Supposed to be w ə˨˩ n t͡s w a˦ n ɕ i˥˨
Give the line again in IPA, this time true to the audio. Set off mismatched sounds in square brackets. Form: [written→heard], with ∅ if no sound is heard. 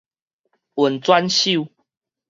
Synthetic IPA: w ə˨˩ n t͡s w a˦ n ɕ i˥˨